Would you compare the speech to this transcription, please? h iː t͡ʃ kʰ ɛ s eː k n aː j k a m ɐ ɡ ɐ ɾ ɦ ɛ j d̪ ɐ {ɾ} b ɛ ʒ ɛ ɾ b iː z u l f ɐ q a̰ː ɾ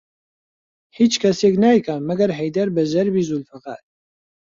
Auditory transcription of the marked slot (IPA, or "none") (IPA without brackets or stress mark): ɾ